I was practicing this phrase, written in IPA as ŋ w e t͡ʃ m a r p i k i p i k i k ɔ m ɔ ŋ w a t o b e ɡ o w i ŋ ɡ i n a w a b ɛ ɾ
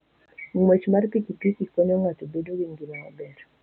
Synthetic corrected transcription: ŋ w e t͡ʃ m a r p i k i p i k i k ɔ ɲ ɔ ŋ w a t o b e d o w i ŋ ɡ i n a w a b ɛ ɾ